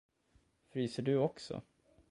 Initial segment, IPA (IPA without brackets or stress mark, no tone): f